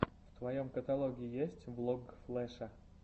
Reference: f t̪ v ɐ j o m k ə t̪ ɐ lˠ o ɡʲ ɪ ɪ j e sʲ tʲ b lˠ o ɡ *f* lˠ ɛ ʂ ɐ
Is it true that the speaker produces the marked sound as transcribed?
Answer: yes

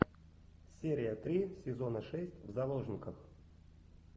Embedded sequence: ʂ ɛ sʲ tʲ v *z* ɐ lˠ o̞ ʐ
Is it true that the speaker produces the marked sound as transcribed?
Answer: yes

